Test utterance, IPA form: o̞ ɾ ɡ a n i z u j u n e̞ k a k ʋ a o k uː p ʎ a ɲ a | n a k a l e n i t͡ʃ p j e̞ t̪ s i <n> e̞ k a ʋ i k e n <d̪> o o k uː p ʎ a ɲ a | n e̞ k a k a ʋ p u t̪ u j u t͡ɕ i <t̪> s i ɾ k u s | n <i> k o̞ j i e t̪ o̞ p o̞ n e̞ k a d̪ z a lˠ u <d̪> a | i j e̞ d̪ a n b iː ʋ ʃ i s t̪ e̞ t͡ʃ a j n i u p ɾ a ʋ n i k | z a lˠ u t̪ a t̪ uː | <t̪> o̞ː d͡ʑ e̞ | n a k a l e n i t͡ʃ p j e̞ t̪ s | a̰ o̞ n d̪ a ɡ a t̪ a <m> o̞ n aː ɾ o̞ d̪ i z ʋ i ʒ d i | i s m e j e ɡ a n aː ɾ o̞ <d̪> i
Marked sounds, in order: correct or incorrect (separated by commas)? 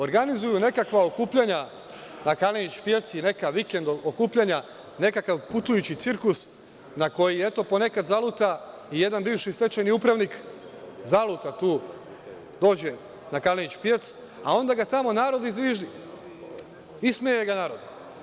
correct, correct, correct, incorrect, incorrect, incorrect, correct, correct